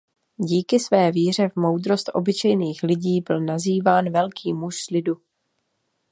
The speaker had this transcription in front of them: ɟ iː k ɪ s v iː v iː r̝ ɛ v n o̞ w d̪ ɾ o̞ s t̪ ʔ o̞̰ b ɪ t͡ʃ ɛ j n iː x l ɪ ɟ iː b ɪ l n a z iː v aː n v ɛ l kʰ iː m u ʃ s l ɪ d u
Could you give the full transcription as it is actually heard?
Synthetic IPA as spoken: ɟ iː k ɪ s v ɛː v iː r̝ ɛ v m o̞ w d̪ ɾ o̞ s t̪ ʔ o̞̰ b ɪ t͡ʃ ɛ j n iː x l ɪ ɟ iː b ɪ l n a z iː v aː n v ɛ l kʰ iː m u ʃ s l ɪ d u